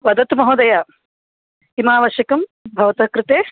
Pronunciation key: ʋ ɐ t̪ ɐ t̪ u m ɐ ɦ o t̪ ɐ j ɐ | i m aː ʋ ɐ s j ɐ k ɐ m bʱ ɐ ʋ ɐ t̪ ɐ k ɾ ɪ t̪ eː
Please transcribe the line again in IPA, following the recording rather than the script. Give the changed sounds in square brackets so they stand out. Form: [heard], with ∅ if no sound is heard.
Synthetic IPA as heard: ʋ ɐ [d̪] ɐ t̪ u m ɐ ɦ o [d̪] ɐ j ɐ | i m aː ʋ ɐ [ʃ] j ɐ k ɐ m bʱ ɐ ʋ ɐ t̪ ɐ k ɾ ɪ t̪ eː